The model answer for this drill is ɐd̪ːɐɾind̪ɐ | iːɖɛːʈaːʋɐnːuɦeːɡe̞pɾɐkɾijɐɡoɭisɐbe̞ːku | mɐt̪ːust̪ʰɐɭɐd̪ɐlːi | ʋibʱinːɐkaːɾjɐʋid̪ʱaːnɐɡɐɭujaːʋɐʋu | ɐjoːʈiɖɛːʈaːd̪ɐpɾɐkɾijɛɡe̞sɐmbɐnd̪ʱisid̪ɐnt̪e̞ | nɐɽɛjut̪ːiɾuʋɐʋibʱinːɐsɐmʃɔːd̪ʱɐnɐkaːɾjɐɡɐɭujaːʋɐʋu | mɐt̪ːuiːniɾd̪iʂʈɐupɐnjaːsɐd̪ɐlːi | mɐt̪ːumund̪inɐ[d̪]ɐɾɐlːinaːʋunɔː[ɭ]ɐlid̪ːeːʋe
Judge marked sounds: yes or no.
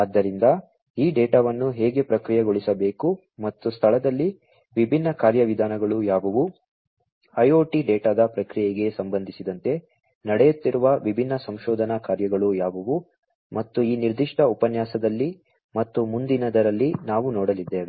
yes, no

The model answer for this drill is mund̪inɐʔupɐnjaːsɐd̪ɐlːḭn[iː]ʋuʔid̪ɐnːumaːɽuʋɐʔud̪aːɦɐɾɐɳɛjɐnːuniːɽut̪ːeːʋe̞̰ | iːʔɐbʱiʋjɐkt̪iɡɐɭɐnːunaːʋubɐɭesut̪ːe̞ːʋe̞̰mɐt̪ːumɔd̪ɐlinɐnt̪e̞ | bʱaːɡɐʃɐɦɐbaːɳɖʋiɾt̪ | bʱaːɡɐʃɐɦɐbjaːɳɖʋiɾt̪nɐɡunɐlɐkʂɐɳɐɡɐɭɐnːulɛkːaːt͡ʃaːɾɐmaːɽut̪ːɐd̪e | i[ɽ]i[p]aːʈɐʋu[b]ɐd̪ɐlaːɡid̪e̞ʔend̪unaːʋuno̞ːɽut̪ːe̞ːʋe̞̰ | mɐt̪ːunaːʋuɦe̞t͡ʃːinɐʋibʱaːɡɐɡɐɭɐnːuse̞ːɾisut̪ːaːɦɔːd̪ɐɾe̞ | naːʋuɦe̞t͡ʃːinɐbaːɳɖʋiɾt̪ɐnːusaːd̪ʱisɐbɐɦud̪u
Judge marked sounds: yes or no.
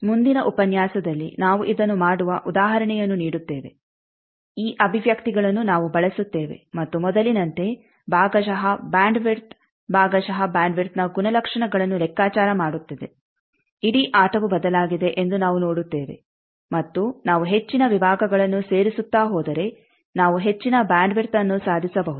no, yes, no, yes

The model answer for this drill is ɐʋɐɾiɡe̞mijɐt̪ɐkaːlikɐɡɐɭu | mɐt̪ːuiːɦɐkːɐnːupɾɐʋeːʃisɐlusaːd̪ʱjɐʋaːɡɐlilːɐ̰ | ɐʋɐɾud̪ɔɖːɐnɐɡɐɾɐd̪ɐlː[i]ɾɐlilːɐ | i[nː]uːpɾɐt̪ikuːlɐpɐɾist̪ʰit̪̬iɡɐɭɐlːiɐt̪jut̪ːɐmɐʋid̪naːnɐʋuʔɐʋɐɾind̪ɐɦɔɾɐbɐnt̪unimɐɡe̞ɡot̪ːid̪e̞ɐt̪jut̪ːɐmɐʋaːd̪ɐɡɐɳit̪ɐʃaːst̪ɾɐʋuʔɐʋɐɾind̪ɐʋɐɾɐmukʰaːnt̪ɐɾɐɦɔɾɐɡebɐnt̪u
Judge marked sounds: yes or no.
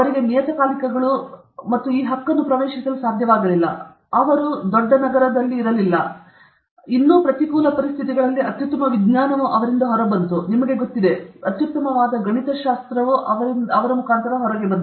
no, yes

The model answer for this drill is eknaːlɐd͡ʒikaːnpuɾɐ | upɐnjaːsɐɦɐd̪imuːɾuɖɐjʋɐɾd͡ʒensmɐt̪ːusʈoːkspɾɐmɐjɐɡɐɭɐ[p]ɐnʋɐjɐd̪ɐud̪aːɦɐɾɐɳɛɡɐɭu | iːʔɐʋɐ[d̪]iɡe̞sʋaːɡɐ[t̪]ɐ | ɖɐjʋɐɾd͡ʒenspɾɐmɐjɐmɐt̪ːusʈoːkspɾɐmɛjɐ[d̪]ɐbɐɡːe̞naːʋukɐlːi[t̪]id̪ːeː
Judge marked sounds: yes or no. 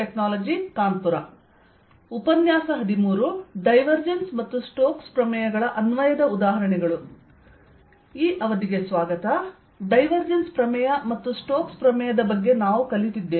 no, yes, yes, yes, yes

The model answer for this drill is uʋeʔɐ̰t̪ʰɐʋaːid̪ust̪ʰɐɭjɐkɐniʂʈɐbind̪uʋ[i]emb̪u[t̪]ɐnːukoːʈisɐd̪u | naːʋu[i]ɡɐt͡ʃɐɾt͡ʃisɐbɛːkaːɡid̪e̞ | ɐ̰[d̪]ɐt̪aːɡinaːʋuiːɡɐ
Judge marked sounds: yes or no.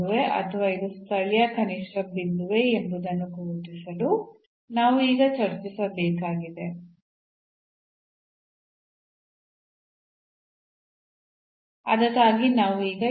no, no, no, yes

